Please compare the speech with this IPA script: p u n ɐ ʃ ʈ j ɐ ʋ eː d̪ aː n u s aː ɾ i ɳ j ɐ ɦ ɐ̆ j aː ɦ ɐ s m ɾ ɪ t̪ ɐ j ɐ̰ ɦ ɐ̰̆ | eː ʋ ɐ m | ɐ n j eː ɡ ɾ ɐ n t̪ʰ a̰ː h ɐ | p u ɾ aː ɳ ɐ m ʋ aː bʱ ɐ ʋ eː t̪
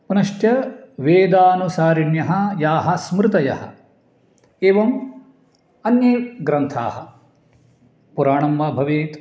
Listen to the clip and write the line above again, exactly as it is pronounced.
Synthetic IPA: p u n ɐ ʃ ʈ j ɐ ʋ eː d̪ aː n u s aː ɾ i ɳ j ɐ ɦ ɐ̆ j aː ɦ ɐ s m ɾ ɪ t̪ ɐ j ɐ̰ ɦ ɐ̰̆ | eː ʋ ɐ m | ɐ n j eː ɡ ɾ ɐ n t̪ʰ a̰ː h ɐ | p u ɾ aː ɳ ɐ m ʋ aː bʱ ɐ ʋ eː t̪

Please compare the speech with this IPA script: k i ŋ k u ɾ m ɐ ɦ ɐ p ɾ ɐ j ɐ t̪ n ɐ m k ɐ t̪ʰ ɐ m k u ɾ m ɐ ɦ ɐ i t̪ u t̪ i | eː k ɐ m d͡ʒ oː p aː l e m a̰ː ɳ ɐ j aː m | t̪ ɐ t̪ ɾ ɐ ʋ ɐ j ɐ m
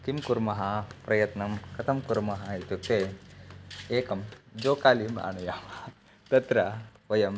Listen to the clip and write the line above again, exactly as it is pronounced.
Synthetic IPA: k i m k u ɾ m ɐ ɦ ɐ p ɾ ɐ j ɐ t̪ n ɐ m k ɐ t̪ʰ ɐ m k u ɾ m ɐ ɦ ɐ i t̪ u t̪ e | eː k ɐ m d͡ʒ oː k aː l i m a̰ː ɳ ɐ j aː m | t̪ ɐ t̪ ɾ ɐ ʋ ɐ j ɐ m

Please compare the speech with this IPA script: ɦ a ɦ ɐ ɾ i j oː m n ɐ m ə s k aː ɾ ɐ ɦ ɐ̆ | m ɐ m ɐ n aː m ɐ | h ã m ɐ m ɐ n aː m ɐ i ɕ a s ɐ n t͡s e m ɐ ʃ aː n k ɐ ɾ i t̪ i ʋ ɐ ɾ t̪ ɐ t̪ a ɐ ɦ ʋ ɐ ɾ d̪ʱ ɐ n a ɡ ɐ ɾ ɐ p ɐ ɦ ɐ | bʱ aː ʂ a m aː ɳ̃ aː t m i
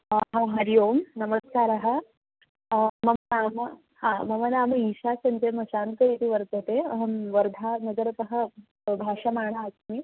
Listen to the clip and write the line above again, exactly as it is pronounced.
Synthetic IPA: ɦ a ɦ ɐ ɾ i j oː m n ɐ m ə s k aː ɾ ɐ ɦ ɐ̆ | m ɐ m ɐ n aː m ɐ | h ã m ɐ m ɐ n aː m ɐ i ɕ a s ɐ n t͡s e m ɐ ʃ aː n k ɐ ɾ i t̪ i ʋ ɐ ɾ t̪ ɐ t̪ e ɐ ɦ ʋ ɐ ɾ d̪ʱ a n ɐ ɡ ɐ ɾ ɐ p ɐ ɦ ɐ | bʱ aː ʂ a m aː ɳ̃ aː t m i

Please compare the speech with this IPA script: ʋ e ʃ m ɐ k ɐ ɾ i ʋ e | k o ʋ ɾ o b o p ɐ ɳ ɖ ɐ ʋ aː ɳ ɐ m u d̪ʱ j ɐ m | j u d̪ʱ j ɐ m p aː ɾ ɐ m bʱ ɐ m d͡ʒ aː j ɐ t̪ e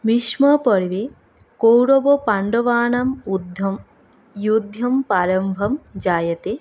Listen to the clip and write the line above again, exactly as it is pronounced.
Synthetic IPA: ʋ i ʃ m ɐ p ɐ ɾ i ʋ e | k o w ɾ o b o p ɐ ɳ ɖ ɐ ʋ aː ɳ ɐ m u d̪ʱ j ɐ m | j u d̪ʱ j ɐ m p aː ɾ ɐ m bʱ ɐ m d͡ʒ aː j ɐ t̪ e

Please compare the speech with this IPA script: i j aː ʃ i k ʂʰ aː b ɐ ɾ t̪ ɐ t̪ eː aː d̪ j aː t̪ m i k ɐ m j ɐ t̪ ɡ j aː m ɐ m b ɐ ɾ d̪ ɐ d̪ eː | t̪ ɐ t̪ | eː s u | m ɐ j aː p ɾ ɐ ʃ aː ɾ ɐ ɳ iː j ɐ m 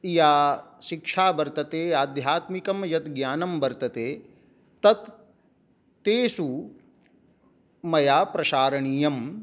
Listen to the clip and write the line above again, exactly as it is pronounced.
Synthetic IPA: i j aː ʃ i k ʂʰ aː b ɐ ɾ t̪ ɐ t̪ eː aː d̪ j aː t̪ m i k ɐ m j ɐ t̪ ɡ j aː n ɐ m b ɐ ɾ t̪ ɐ t̪ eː | t̪ ɐ t̪ | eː s u | m ɐ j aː p ɾ ɐ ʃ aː ɾ ɐ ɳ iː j ɐ m

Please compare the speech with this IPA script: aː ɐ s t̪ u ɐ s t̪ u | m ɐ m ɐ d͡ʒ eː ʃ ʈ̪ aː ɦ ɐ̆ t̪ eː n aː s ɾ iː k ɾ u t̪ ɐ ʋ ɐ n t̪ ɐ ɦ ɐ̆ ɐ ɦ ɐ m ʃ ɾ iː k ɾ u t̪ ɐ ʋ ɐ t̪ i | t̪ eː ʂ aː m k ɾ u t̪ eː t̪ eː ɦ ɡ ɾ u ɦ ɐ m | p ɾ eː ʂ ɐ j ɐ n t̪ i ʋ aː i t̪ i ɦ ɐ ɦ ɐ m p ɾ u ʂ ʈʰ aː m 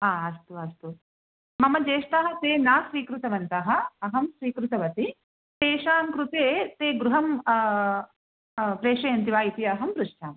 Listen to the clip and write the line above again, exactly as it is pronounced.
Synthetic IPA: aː ɐ s t̪ u ɐ s t̪ u | m ɐ m ɐ d͡ʒ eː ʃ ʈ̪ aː ɦ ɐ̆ t̪ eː n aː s ɾ iː k ɾ u t̪ ɐ ʋ ɐ n t̪ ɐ ɦ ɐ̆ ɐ ɦ ɐ m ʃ ɾ iː k ɾ u t̪ ɐ ʋ ɐ t̪ i | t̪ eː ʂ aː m k ɾ u t̪ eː t̪ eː ɡ ɾ u ɦ ɐ m | p ɾ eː ʂ ɐ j ɐ n t̪ i ʋ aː i t̪ i ɐ ɦ ɐ m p ɾ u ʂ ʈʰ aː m

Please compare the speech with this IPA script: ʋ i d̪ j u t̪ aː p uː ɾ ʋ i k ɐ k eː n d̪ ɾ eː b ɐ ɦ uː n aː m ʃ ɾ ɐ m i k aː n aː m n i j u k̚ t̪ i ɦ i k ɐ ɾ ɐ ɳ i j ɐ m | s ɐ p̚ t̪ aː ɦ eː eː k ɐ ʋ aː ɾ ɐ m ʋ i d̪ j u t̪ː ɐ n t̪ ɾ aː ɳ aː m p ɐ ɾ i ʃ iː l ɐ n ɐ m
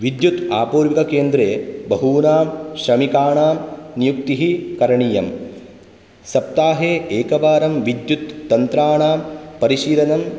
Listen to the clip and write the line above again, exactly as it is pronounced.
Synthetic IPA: ʋ i d̪ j u t̪ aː p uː ɾ ʋ i k ɐ k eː n d̪ ɾ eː b ɐ ɦ uː n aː m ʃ ɾ ɐ m i k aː ɳ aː m n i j u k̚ t̪ i ɦ i k ɐ ɾ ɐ ɳ i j ɐ m | s ɐ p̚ t̪ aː ɦ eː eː k ɐ ʋ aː ɾ ɐ m ʋ i d̪ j u t̪ː ɐ n t̪ ɾ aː ɳ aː m p ɐ ɾ i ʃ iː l ɐ n ɐ m

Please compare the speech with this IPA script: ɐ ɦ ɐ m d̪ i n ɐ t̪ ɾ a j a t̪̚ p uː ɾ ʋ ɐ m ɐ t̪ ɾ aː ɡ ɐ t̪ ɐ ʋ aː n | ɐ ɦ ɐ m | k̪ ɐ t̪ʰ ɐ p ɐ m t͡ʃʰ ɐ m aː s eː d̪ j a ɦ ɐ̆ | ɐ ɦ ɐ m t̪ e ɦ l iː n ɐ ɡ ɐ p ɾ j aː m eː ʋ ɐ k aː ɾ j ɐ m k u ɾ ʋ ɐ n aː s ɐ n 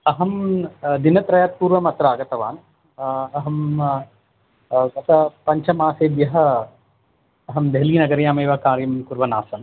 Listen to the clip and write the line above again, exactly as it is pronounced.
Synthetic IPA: ɐ ɦ ɐ m d̪ i n ɐ t̪ ɾ ɐ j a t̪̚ p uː ɾ ʋ ɐ m ɐ t̪ ɾ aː ɡ ɐ t̪ ɐ ʋ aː n | ɐ ɦ ɐ m | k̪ ɐ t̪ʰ ɐ p ɐ ɲ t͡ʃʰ ɐ m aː s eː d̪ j ɐ ɦ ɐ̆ | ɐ ɦ ɐ m d̪ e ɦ l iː n ɐ ɡ ɐ ɾ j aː m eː ʋ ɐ k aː ɾ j ɐ m k u ɾ ʋ ɐ n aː s ɐ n

